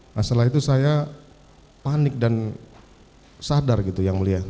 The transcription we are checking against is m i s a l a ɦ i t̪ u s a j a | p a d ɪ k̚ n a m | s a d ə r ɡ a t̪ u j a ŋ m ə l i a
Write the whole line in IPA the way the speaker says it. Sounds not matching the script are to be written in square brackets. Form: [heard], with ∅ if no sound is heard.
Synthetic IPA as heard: m [a] s a l a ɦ i t̪ u s a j a | p a [n] ɪ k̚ [d] a [n] | s a d [a] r ɡ [i] t̪ u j a ŋ m ə l i a

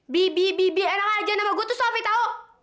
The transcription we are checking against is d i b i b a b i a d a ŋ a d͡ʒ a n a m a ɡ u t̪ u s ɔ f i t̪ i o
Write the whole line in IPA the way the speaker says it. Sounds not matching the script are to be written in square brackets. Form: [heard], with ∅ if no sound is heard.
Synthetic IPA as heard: [b] i b i b [i] b i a [n] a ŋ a d͡ʒ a n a m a ɡ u t̪ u s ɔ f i t̪ [a] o

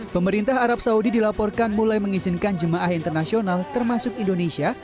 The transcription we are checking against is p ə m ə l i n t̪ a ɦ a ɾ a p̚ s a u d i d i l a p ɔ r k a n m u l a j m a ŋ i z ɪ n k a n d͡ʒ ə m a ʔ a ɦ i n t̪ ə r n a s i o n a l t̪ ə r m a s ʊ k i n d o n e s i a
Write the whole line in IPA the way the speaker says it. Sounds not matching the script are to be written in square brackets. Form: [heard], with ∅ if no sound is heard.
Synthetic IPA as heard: p ə m ə [ɾ] i n t̪ a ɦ a ɾ a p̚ s a u d i d i l a p ɔ r k a n m u l a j m [ə] ŋ i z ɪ n k a n d͡ʒ ə m a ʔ a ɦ i n t̪ ə r n a s i o n a l t̪ ə r m a s ʊ k i n d o n e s i a

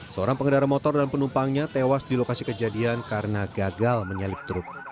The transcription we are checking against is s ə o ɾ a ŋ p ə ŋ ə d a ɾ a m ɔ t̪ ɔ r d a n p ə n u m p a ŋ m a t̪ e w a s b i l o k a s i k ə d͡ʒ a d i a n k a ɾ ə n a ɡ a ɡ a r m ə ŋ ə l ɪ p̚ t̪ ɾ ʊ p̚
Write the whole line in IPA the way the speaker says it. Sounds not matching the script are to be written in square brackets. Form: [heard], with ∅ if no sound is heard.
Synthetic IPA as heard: s ə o ɾ a ŋ p ə ŋ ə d a ɾ a m ɔ t̪ ɔ r d a n p ə n u m p a ŋ [ɲ] a t̪ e w a s [d] i l o k a s i k ə d͡ʒ a d i a n k a ɾ ə n a ɡ a ɡ a [l] m ə [ɲ] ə l ɪ p̚ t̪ ɾ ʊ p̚

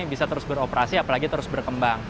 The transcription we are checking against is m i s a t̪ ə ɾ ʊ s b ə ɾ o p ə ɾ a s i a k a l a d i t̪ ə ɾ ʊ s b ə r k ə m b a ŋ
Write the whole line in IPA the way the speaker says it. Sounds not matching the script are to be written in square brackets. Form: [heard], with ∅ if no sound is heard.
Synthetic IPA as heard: [b] i s a t̪ ə ɾ ʊ s b ə ɾ o p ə ɾ a s i a [p] a l a [ɡ] i t̪ ə ɾ ʊ s b ə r k ə m b a ŋ

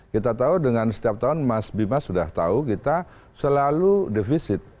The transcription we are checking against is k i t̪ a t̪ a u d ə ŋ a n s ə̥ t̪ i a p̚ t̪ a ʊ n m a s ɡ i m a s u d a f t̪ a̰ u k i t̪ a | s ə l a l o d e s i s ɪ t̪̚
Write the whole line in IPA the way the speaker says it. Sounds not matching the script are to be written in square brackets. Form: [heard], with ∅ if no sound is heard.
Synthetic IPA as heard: k i t̪ a t̪ a u d ə ŋ a n s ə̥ t̪ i a p̚ t̪ a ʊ n m a s [b] i m a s u d a [h] t̪ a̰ u k i t̪ a | s ə l a l [u] d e [f] i s ɪ t̪̚

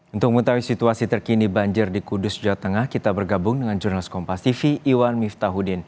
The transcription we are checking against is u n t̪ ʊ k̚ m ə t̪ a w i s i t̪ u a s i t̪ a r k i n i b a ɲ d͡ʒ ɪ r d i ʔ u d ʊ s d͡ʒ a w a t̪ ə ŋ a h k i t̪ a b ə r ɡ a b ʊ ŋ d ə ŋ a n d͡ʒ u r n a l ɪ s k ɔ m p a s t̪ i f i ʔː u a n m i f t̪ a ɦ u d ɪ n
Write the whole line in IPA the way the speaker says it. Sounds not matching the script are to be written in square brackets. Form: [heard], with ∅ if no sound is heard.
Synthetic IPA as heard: u n t̪ ʊ k̚ m ə t̪ a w i s i t̪ u a s i t̪ [ə] r k i n i b a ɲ d͡ʒ ɪ r d i [k] u d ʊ s d͡ʒ a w a t̪ ə ŋ a h k i t̪ a b ə r ɡ a b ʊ ŋ d ə ŋ a n d͡ʒ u r n a l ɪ s k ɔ m p a s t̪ i f i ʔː [w] a n m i f t̪ a ɦ u d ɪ n

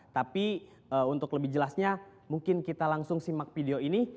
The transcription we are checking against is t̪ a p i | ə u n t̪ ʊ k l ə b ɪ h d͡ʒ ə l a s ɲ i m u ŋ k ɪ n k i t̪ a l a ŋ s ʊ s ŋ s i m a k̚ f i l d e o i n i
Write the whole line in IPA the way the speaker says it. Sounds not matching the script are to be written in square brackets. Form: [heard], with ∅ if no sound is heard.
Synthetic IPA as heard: t̪ a p i | ə u n t̪ ʊ k l ə b ɪ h d͡ʒ ə l a s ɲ [a] m u ŋ k ɪ n k i t̪ a l a ŋ s ʊ [∅] ŋ s i m a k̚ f i [∅] d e o i n i

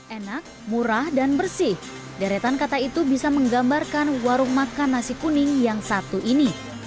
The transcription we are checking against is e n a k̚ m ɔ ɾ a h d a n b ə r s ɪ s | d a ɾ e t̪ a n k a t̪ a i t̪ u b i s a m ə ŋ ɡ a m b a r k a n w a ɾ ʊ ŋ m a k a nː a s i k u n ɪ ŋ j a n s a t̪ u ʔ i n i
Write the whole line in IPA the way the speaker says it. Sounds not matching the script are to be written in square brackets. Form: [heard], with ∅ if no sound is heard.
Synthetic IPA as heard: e n a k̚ m [u] ɾ a h d a n b ə r s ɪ [h] | d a ɾ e t̪ a n k a t̪ a i t̪ u b i s a m ə ŋ ɡ a m b a r k a n w a ɾ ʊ ŋ m a k a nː a s i k u n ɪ ŋ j a [ŋ] s a t̪ u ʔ i n i

